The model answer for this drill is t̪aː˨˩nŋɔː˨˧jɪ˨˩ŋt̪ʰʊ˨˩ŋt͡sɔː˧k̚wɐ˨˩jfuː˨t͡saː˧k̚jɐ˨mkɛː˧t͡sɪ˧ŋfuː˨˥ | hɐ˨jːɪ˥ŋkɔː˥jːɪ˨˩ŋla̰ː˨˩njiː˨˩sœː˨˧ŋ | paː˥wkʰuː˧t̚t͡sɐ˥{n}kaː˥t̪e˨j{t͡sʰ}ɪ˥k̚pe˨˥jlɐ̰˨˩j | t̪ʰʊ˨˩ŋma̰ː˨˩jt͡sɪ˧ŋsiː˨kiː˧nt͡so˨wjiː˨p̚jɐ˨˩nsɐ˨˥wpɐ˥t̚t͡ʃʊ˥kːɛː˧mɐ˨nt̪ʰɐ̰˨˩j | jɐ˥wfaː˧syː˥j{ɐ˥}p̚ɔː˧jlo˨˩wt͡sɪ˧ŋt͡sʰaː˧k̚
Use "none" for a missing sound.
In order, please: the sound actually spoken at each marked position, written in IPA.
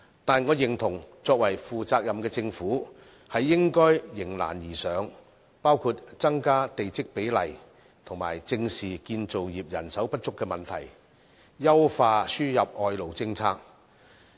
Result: ŋ, t͡s, ɐ˨

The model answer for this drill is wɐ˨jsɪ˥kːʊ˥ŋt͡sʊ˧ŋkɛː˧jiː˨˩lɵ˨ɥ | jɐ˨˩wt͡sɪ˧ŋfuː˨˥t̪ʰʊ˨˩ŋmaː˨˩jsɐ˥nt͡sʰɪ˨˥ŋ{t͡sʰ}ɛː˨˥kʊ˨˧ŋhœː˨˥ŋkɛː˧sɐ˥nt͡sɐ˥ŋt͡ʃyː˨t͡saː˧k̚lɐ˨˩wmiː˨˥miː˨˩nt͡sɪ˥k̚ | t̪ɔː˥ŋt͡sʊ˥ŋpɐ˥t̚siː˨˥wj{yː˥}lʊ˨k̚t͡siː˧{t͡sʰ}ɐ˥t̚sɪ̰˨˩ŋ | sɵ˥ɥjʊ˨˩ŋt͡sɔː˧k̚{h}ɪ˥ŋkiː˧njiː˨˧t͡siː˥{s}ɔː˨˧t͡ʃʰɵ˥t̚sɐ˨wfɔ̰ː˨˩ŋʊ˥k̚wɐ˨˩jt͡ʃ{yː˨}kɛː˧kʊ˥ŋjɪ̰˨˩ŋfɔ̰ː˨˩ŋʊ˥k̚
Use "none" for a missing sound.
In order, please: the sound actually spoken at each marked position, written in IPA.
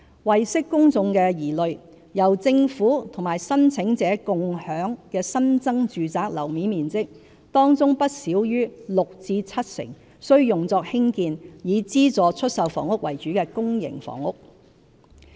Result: t͡s, yː˥, t͡sʰ, h, t͡s, yː˨˥

